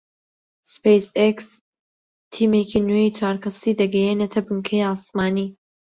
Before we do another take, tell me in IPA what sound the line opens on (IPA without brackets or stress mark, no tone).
s